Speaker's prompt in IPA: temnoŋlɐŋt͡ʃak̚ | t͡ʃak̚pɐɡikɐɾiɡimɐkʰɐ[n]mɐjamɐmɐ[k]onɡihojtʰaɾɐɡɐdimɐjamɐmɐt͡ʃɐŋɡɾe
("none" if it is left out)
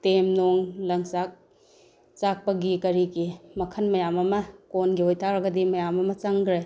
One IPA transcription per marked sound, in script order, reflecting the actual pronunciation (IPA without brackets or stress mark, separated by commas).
n, k